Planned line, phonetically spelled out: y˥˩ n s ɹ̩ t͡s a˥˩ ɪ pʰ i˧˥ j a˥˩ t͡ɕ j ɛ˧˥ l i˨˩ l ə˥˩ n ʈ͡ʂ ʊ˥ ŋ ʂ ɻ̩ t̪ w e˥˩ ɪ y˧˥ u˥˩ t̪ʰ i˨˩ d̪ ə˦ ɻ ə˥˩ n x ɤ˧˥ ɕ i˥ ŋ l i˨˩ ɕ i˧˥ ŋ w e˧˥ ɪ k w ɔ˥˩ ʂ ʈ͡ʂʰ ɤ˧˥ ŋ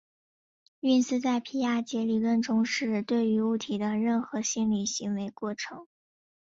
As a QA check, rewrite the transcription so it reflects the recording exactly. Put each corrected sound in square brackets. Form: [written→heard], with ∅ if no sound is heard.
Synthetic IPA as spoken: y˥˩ n s ɹ̩ t͡s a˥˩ ɪ pʰ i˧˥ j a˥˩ t͡ɕ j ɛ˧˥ l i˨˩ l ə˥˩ n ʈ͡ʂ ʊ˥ ŋ ʂ ɻ̩ t̪ w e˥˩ ɪ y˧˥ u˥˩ t̪ʰ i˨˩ d̪ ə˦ ɻ ə˥˩ n x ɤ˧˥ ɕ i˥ [ŋ→n] l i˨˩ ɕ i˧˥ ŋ w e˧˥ ɪ k w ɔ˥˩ [ʂ→∅] ʈ͡ʂʰ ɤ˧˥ ŋ

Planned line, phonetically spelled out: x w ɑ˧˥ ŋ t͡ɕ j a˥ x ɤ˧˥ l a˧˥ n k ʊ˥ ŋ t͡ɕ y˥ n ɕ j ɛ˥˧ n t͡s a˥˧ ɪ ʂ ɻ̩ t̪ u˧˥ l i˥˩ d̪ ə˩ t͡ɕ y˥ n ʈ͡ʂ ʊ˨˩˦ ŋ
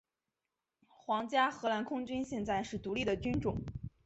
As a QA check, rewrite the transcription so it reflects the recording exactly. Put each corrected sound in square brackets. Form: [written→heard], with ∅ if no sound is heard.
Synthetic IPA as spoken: x w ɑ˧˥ ŋ t͡ɕ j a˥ x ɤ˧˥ l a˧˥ n [k→kʰ] ʊ˥ ŋ t͡ɕ y˥ n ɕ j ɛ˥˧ n t͡s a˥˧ ɪ ʂ ɻ̩ t̪ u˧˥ l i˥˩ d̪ ə˩ t͡ɕ y˥ n ʈ͡ʂ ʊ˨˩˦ ŋ

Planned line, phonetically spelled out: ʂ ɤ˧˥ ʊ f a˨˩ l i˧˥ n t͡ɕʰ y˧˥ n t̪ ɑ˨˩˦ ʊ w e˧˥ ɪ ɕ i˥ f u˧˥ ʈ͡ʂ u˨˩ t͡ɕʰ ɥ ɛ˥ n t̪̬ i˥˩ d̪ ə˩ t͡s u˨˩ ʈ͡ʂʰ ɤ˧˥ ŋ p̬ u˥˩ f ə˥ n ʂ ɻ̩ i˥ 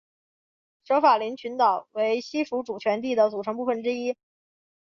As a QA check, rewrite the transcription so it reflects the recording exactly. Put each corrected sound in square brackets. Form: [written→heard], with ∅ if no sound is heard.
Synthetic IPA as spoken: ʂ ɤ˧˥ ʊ f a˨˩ l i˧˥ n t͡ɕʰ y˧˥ n t̪ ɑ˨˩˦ ʊ w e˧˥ ɪ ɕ i˥ f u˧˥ ʈ͡ʂ u˨˩ t͡ɕʰ ɥ [ɛ˥→ɛ˧˥] n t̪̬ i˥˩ d̪ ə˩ t͡s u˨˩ ʈ͡ʂʰ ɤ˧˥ ŋ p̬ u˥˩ f [ə˥→ə˩] n [ʂ→ʈ͡ʂ] ɻ̩ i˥

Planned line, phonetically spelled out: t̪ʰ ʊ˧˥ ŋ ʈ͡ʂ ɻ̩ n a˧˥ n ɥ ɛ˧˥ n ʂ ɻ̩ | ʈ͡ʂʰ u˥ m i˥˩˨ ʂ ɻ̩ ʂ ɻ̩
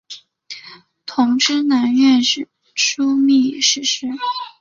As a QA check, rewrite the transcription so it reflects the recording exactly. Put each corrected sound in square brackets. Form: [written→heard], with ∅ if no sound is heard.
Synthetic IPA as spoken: t̪ʰ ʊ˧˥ ŋ ʈ͡ʂ ɻ̩ n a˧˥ n ɥ [ɛ˧˥→ɛ˥˧] n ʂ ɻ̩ | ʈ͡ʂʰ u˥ m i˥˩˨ ʂ ɻ̩ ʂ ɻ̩

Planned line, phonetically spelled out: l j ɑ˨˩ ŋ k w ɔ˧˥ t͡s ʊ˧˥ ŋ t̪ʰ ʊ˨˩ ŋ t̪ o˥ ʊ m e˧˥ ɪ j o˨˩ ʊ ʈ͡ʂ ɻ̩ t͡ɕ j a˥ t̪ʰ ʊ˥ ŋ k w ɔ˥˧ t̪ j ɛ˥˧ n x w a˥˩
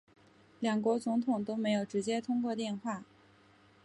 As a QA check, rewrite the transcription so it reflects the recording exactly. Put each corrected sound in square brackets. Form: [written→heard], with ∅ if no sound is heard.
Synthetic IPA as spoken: l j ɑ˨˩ ŋ k w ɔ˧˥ t͡s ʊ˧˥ ŋ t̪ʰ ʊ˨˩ ŋ t̪ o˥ ʊ m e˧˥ ɪ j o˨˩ ʊ ʈ͡ʂ ɻ̩ t͡ɕ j [a˥→ɛ˥] t̪ʰ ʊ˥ ŋ k w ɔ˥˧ t̪ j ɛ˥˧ n x w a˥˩

